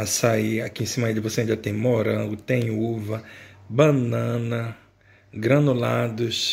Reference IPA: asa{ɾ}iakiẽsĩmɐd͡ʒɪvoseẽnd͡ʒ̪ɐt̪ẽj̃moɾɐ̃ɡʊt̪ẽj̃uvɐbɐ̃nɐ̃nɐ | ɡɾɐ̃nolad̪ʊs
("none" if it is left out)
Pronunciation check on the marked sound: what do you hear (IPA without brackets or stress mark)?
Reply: none